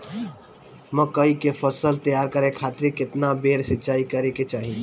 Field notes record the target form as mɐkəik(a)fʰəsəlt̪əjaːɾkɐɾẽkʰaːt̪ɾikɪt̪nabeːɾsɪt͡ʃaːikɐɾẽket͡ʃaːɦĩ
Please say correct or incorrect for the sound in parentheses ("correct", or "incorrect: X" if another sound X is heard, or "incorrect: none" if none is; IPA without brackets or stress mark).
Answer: incorrect: e